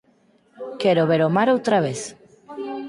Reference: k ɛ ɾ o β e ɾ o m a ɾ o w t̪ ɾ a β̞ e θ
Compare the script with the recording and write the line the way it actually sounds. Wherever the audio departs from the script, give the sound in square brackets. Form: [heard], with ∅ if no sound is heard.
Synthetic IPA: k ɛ ɾ o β e ɾ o m a ɾ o w t̪ ɾ a β̞ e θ